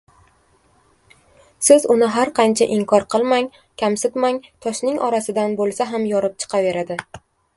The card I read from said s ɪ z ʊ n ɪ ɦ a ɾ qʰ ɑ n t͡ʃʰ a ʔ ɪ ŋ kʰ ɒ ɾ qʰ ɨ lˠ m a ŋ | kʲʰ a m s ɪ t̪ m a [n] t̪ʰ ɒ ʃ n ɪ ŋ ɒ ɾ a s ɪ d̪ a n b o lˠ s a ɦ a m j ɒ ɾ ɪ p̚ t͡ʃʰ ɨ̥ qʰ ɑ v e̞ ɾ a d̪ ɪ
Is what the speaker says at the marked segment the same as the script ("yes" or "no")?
no